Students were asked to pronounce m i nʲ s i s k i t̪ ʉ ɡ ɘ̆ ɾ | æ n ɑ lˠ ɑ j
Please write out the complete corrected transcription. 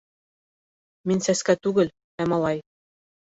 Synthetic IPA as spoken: m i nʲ s æ s k æ t̪ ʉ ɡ ɘ̆ l | æ m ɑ lˠ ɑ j